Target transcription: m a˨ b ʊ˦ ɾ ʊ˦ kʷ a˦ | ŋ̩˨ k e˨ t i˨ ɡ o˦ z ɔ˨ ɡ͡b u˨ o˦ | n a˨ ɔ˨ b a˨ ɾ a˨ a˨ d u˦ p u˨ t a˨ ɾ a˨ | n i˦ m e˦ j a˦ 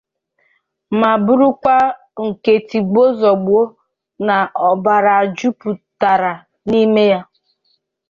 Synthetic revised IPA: m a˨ b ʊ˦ ɾ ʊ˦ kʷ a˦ | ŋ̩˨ k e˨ t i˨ ɡ͡b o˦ z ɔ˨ ɡ͡b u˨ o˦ | n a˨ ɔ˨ b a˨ ɾ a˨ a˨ d͡ʒ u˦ p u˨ t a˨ ɾ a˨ | n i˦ m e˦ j a˦